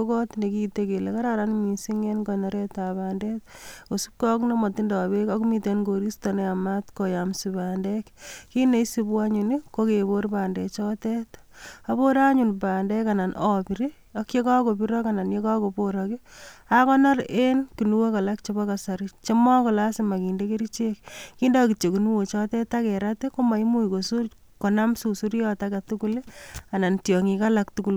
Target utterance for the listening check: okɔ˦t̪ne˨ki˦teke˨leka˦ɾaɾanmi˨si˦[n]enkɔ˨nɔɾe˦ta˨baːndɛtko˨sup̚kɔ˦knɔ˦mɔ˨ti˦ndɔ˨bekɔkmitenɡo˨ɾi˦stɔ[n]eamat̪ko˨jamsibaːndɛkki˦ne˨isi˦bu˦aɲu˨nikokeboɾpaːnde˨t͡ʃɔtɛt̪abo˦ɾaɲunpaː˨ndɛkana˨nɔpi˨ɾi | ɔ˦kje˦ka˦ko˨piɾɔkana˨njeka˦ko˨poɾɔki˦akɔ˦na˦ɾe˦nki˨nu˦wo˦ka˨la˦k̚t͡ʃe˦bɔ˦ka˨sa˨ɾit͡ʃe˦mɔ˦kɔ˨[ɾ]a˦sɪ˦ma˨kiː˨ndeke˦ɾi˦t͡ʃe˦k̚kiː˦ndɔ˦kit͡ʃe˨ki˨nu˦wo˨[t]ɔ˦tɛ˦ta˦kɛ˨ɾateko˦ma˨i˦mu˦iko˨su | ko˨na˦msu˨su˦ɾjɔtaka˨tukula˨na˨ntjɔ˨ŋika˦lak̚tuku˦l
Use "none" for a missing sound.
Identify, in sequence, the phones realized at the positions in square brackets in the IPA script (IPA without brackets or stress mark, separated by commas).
ŋ, n, l, t͡ʃ